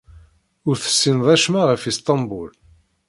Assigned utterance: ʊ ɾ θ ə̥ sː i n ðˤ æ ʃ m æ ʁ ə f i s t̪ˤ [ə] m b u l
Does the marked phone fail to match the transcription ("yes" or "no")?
yes